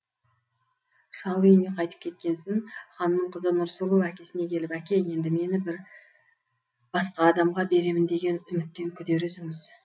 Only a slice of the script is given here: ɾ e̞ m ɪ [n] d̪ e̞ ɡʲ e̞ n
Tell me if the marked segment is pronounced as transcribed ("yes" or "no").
yes